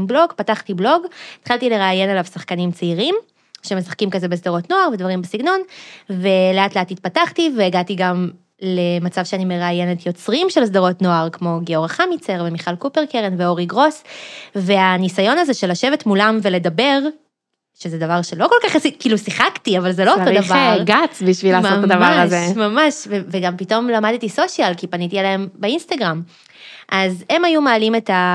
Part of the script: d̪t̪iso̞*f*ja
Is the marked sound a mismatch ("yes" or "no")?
yes